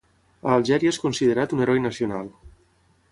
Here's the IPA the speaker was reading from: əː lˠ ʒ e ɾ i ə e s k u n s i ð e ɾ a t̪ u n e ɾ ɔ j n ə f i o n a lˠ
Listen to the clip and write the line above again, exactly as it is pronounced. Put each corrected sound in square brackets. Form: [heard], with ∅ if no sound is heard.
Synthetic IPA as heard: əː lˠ ʒ [ɛ] ɾ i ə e s k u n s i ð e ɾ a t̪ u n e ɾ ɔ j n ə [s] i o n a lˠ